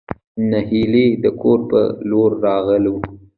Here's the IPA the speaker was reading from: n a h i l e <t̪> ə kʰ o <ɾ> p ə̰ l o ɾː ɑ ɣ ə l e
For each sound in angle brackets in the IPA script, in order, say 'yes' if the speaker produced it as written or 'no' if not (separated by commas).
no, yes